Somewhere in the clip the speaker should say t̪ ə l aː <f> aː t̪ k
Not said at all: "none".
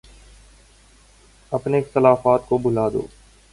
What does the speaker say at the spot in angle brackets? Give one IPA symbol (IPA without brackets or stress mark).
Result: f